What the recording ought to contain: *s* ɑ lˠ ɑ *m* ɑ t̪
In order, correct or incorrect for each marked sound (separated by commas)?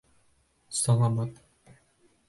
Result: correct, correct